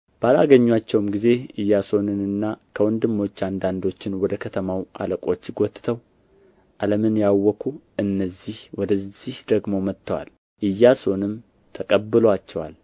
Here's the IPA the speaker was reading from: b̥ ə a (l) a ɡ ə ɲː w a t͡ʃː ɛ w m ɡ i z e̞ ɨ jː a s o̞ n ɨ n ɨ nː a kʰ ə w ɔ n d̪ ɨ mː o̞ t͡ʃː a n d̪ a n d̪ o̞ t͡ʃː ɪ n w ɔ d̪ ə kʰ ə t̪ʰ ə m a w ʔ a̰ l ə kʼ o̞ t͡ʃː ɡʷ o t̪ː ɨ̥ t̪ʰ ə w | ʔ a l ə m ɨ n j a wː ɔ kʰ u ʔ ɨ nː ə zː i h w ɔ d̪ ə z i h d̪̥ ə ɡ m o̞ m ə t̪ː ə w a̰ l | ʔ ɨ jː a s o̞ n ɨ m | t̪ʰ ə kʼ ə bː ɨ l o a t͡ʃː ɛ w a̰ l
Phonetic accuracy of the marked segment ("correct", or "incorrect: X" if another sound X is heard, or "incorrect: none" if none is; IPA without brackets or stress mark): correct